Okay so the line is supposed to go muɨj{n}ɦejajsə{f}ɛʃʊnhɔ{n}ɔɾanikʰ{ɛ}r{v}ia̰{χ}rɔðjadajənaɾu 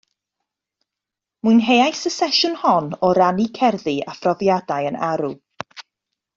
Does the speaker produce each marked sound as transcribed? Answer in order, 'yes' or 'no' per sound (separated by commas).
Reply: yes, no, yes, yes, no, no